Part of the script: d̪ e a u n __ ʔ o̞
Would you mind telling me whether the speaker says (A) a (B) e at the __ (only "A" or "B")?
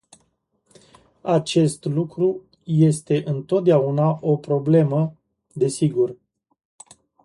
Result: A